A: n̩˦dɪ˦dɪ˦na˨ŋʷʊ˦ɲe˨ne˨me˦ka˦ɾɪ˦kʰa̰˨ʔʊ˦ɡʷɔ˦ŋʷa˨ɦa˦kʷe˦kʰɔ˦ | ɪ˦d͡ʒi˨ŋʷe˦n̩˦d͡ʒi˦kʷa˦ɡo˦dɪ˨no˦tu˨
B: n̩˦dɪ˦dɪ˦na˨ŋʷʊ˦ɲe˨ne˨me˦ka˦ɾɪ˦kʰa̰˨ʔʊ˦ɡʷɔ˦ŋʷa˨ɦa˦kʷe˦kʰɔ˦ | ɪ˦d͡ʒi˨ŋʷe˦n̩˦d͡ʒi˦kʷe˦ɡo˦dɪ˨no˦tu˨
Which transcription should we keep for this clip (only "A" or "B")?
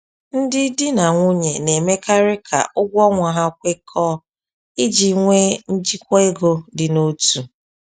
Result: B